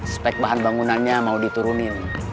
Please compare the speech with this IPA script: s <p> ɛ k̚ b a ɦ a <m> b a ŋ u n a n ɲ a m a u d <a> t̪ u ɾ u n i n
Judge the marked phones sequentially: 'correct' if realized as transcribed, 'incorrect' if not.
correct, incorrect, incorrect

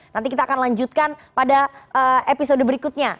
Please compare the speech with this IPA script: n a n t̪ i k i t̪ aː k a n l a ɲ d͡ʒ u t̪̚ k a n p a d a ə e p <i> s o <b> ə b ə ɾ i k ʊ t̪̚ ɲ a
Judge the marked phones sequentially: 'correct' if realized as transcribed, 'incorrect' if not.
correct, incorrect

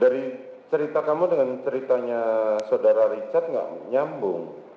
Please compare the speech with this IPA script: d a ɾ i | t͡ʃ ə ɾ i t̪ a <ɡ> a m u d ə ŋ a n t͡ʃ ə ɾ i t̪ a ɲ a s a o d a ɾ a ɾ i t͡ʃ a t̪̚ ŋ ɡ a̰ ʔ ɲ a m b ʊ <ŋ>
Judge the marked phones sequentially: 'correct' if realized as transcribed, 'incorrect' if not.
incorrect, correct

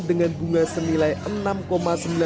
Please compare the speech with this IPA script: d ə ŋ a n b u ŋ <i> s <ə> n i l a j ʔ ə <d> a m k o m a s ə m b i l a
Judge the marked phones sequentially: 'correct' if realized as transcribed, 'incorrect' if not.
incorrect, correct, incorrect

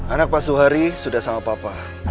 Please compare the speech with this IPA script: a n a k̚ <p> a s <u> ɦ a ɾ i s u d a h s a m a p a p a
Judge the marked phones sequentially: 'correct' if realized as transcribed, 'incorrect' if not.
correct, correct

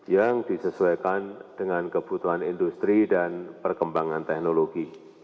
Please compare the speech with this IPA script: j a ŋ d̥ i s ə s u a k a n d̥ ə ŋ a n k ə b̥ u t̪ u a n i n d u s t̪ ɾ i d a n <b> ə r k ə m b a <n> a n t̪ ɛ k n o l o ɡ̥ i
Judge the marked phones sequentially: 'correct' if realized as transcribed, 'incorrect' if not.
incorrect, incorrect

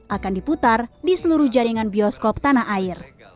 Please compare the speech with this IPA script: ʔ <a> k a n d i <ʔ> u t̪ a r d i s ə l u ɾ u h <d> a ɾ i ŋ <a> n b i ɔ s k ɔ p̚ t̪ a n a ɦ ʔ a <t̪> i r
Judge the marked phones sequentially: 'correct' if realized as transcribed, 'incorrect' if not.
correct, incorrect, incorrect, correct, incorrect

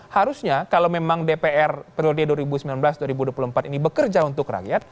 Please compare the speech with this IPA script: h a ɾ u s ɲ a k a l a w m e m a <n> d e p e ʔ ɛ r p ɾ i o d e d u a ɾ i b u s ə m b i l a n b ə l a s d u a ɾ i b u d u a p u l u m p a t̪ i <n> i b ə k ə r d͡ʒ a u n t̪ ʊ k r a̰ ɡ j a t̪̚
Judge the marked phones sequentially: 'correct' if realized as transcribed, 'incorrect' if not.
incorrect, correct

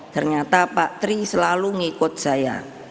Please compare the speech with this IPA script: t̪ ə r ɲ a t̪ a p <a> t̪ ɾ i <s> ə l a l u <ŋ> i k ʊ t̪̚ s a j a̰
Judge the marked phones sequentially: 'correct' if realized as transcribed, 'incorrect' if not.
correct, correct, correct

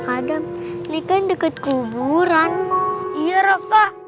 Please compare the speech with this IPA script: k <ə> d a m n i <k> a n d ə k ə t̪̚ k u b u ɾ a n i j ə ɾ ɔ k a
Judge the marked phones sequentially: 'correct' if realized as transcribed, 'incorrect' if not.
incorrect, correct

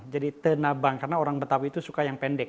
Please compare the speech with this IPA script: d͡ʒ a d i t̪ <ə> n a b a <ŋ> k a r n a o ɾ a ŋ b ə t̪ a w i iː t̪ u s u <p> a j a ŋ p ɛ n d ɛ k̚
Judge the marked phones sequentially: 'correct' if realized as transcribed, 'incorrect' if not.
correct, correct, incorrect

